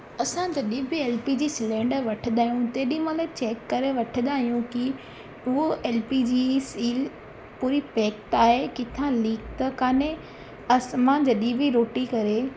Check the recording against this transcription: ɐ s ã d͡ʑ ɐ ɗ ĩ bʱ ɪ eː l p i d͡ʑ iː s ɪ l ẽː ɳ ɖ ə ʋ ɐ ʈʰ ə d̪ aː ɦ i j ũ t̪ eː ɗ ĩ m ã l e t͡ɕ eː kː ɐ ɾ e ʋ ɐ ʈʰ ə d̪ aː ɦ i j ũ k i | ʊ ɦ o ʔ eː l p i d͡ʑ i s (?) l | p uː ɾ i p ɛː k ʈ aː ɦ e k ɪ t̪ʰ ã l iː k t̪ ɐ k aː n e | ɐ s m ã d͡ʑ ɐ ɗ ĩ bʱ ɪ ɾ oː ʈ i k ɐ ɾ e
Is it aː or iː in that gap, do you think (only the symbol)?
iː